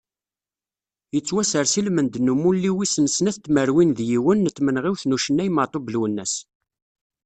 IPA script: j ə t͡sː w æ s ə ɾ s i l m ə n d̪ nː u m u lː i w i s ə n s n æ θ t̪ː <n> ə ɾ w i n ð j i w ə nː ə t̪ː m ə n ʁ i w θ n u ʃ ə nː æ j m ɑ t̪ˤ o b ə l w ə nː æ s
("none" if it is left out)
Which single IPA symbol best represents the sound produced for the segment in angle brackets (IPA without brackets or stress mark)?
m